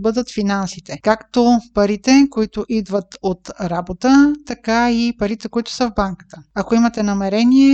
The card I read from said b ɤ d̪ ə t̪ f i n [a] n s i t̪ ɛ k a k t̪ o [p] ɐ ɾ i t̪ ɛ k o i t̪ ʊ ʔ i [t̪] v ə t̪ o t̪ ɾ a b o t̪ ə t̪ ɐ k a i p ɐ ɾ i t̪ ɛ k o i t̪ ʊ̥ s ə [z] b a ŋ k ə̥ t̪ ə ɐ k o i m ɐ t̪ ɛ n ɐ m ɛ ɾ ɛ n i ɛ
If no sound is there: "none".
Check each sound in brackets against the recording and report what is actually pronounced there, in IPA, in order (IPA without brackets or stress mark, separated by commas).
a, p, d̪, v